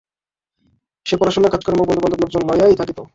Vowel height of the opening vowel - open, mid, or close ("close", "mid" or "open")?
mid